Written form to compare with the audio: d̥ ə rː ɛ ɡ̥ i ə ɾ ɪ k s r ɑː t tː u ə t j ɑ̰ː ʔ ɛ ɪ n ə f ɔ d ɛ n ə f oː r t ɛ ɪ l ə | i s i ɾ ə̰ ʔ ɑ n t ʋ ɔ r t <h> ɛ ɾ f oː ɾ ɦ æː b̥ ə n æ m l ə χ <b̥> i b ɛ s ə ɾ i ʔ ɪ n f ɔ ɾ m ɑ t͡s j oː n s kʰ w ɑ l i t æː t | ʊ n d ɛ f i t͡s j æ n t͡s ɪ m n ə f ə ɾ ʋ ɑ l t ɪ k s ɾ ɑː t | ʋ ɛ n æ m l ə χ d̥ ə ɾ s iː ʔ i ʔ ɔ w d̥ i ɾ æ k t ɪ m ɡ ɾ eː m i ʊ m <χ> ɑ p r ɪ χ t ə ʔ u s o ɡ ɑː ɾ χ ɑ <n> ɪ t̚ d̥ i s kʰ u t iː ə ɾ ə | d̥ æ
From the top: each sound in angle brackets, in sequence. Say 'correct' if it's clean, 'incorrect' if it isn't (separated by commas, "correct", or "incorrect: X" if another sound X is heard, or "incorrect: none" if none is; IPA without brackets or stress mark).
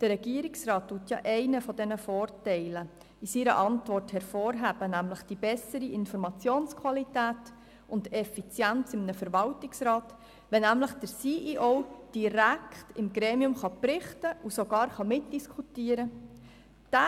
correct, incorrect: d̥, correct, incorrect: m